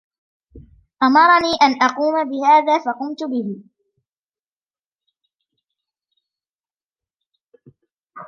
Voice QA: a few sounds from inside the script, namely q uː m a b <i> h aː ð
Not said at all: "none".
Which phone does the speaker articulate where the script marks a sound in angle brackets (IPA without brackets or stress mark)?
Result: ɪ